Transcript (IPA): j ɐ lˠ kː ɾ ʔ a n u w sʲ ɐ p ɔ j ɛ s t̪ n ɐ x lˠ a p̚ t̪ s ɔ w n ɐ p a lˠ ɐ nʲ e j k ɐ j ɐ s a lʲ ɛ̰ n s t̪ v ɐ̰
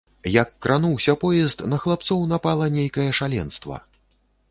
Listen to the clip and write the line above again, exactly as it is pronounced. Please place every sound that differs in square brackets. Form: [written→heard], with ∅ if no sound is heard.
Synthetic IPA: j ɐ [lˠ→∅] kː ɾ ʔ a n u w sʲ ɐ p ɔ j ɛ s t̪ n ɐ x lˠ a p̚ t̪ s ɔ w n [ɐ→a] p a lˠ ɐ nʲ e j k ɐ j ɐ [s→ʂ] a lʲ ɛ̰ n s t̪ v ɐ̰